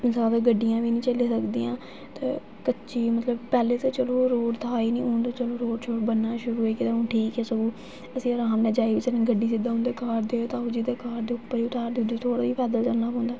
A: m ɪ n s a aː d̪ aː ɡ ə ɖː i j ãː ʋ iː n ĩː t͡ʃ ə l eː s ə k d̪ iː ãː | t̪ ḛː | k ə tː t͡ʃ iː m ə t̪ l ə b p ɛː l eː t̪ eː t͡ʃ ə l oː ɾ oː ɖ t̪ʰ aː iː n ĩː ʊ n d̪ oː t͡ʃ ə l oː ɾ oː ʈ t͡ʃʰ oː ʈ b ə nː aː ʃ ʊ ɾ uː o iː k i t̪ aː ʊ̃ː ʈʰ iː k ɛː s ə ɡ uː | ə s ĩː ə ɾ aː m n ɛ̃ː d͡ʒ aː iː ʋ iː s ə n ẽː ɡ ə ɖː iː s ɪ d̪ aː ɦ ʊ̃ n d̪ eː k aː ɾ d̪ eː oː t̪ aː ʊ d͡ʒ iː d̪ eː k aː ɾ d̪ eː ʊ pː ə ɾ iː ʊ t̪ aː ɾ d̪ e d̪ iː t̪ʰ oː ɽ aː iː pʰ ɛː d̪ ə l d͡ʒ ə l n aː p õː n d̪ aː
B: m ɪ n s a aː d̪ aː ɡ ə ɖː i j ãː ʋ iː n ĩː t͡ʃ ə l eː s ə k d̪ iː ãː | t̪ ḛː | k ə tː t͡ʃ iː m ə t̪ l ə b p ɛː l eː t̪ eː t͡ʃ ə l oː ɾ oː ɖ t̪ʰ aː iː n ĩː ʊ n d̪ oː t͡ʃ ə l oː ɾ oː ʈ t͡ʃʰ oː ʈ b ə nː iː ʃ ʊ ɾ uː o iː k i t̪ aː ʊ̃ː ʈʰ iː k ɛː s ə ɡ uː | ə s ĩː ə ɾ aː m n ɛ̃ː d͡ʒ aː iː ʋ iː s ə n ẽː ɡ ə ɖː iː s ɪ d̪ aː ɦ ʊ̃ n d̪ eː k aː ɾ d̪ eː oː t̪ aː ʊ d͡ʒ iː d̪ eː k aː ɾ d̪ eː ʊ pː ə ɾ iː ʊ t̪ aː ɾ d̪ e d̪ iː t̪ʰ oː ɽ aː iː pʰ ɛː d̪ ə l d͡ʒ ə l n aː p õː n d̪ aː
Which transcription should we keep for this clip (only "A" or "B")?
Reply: A